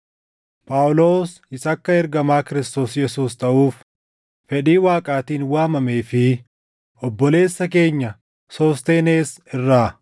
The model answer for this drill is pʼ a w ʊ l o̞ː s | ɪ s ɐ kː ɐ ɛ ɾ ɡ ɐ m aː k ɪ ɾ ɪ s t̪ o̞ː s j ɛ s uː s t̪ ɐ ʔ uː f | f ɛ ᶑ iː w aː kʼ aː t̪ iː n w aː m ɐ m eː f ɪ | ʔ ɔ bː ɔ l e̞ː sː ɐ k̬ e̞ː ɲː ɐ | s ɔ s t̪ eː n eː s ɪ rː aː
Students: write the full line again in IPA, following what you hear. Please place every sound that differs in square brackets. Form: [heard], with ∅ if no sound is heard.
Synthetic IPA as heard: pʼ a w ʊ l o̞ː s | ɪ s ɐ kː ɐ ɛ ɾ ɡ ɐ m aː k ɪ ɾ ɪ s t̪ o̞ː s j ɛ s uː s t̪ ɐ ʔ uː f | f ɛ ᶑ iː w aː kʼ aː t̪ iː n w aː m ɐ m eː f ɪ | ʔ ɔ bː ɔ l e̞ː sː ɐ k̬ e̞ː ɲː ɐ | s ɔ s t̪ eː n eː s ɪ rː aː